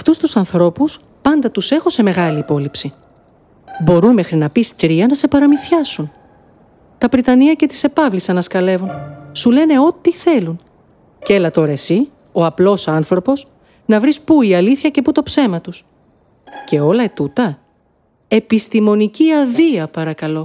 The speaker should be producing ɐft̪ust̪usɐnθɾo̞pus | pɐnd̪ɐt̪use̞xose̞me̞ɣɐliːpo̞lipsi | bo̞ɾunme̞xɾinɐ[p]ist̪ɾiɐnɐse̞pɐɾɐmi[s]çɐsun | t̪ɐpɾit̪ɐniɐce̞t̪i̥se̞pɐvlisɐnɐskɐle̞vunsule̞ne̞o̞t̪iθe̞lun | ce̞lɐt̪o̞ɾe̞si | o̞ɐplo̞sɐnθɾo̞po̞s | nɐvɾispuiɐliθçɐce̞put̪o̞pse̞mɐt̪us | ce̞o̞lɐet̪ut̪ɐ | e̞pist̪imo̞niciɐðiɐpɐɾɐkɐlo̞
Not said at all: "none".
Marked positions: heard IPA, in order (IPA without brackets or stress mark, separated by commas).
p, θ